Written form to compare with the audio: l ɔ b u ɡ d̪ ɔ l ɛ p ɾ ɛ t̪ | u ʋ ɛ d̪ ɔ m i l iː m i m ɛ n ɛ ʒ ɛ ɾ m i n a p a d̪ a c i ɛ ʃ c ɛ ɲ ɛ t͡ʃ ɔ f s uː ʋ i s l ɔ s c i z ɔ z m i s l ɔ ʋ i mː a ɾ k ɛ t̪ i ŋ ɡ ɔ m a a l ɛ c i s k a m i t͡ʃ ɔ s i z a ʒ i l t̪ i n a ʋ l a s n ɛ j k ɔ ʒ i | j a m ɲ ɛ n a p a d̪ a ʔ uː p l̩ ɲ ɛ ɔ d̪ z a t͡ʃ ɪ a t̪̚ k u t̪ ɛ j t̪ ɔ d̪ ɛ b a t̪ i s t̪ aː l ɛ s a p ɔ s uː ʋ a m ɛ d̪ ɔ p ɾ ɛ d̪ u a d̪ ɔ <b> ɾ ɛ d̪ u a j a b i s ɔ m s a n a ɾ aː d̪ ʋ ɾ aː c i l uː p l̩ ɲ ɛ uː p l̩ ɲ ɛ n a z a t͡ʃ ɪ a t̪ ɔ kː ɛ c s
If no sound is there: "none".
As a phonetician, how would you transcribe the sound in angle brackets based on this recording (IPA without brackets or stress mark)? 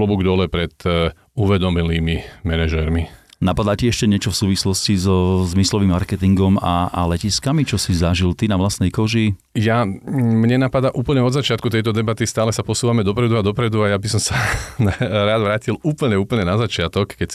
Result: p